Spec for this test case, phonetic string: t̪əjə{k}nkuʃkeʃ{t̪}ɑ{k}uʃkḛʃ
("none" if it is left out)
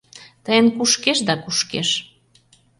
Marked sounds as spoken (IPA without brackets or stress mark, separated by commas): none, d̪, k